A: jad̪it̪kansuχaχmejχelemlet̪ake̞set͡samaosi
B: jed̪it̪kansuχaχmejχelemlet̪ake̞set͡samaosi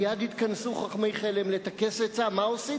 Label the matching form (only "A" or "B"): A